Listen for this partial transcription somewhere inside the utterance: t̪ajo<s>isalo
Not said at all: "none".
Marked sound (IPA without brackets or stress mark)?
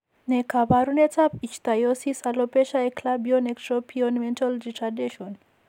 s